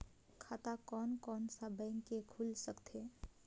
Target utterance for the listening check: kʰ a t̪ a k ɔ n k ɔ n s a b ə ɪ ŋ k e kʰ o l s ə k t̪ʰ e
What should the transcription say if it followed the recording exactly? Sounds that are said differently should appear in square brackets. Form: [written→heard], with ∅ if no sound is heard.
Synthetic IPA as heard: kʰ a t̪ a k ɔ n k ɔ n s a b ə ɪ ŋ k e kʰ [o→u] l s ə k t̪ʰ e